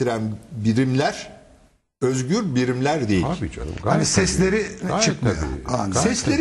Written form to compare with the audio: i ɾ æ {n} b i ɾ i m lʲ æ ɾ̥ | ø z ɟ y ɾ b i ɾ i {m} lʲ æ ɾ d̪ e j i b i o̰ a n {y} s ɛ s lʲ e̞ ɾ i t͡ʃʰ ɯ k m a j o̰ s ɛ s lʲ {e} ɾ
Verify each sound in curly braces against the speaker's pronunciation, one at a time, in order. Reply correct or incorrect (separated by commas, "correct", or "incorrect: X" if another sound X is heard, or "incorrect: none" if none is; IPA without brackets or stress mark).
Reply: correct, correct, incorrect: i, correct